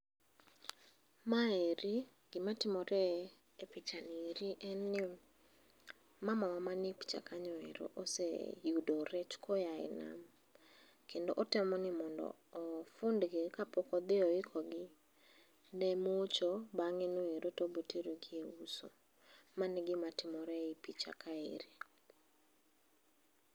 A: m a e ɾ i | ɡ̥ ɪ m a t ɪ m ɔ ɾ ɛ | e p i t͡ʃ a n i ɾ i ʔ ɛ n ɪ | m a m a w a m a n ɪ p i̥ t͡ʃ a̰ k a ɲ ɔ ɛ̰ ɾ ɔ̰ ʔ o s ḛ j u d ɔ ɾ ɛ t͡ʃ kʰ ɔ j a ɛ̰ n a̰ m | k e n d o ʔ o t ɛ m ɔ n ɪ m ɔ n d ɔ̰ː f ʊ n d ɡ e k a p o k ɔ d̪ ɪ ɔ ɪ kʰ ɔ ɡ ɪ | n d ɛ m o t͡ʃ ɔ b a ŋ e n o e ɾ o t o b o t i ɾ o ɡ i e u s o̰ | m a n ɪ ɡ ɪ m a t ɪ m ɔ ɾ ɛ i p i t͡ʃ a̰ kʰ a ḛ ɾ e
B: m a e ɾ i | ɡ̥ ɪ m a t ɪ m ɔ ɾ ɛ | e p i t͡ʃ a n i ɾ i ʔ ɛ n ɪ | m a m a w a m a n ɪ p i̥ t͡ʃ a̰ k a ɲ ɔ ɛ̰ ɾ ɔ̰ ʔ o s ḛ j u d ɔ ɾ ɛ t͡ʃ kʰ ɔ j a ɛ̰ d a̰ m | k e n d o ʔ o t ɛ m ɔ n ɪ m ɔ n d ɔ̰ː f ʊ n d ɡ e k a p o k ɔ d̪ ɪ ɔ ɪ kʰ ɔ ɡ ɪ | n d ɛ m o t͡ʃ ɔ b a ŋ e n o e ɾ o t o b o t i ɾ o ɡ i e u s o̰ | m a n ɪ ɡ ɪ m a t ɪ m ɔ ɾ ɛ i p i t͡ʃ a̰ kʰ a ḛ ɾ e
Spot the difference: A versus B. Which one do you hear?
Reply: A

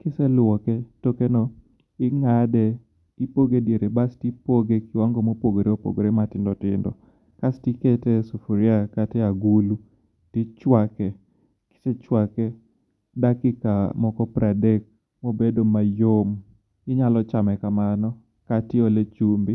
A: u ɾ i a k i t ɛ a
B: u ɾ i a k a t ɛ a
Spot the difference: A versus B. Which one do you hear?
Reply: B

